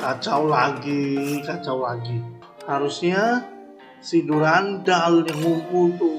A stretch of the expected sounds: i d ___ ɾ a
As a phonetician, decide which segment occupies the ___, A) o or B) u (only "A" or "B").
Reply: B